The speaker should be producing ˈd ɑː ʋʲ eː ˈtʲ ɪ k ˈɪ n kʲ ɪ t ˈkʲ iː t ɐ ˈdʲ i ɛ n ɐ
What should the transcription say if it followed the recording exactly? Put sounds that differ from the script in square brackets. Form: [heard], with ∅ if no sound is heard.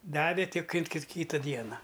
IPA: ˈd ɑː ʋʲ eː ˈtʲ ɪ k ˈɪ n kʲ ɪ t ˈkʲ iː t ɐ ˈdʲ i ɛ n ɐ